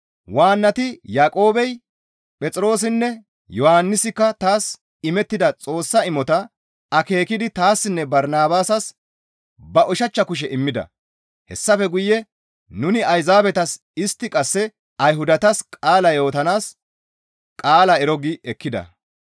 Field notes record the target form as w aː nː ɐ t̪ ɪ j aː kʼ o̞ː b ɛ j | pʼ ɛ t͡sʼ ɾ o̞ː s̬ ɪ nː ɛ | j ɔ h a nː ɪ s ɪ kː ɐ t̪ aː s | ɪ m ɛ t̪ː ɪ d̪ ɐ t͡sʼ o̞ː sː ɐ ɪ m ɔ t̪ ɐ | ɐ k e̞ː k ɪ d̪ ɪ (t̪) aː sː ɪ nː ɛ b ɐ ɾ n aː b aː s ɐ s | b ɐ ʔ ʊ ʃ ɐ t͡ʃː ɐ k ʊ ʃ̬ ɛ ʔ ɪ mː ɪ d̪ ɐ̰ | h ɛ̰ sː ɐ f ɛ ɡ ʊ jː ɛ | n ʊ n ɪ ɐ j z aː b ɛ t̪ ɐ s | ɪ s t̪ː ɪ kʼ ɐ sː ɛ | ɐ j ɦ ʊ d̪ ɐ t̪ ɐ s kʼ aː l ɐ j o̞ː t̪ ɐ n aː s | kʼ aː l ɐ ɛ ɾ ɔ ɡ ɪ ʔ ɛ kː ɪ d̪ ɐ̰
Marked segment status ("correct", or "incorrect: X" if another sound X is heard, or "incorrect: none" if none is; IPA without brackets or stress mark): correct